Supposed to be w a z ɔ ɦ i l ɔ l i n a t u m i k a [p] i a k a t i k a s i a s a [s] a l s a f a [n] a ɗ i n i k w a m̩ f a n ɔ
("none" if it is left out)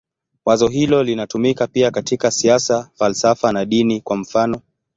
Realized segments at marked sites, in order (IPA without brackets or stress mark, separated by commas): p, f, n